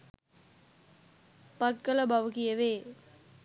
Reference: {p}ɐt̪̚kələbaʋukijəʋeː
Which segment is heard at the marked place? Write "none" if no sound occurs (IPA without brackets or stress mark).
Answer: p